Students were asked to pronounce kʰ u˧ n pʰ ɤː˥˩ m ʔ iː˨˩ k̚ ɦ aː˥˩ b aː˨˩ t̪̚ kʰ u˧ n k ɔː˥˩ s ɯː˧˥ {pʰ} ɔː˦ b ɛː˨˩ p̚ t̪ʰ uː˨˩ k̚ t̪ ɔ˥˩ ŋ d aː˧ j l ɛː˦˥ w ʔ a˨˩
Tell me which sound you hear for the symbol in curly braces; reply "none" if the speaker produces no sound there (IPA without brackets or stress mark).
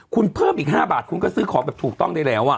kʰ